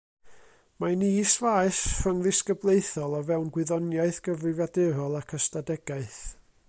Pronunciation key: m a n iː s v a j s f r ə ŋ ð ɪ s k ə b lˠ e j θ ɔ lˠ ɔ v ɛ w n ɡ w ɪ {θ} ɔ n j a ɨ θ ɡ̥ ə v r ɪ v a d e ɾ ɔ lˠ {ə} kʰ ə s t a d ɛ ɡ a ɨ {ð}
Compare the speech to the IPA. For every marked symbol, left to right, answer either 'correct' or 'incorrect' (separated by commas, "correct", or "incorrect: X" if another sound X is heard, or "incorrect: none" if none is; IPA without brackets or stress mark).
incorrect: ð, incorrect: a, incorrect: θ